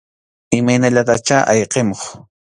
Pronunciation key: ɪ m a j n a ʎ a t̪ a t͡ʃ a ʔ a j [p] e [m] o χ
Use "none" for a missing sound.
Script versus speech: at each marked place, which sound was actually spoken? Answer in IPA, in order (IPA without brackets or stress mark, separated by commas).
q, m